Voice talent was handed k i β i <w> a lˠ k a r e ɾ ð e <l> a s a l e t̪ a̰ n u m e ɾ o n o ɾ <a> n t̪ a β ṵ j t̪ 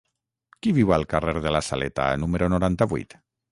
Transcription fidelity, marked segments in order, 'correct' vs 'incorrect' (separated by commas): correct, correct, correct